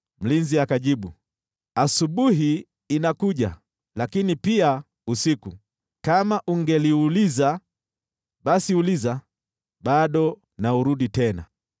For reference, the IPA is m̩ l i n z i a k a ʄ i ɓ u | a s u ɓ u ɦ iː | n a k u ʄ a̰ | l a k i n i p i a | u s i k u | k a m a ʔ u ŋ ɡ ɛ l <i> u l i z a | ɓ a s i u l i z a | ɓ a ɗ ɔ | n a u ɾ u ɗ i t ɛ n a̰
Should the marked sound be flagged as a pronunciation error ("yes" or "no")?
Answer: no